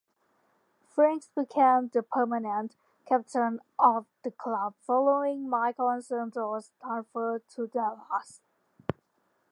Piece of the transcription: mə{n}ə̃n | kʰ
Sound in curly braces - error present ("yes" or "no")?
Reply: no